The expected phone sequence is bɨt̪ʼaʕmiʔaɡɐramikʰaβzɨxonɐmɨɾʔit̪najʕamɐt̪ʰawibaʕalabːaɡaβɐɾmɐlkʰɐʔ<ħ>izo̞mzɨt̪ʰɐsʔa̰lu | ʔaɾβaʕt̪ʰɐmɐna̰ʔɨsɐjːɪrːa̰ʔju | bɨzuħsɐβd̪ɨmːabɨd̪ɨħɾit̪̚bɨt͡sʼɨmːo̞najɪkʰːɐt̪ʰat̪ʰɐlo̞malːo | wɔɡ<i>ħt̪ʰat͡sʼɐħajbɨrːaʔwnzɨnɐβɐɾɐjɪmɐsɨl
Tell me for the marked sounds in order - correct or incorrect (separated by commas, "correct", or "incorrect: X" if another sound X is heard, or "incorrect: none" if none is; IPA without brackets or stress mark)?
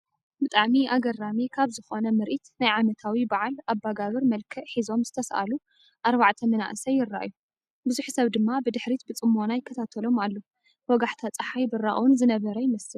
correct, incorrect: a